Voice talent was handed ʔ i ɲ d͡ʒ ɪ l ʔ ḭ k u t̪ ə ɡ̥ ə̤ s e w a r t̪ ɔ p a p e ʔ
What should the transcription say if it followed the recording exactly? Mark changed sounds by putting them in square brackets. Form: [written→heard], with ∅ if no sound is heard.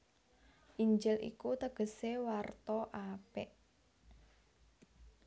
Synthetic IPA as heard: ʔ i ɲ d͡ʒ ɪ l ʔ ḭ k u t̪ ə ɡ̥ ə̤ s e w a r t̪ ɔ [p→ʔ] a p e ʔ